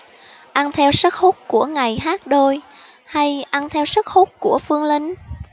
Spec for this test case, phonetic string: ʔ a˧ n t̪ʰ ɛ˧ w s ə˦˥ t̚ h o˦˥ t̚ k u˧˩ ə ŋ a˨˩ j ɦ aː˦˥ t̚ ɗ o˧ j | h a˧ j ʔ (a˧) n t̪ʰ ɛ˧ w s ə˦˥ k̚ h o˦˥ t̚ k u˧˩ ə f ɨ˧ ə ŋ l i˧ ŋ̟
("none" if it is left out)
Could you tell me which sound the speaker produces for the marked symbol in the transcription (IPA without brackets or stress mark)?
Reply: a˧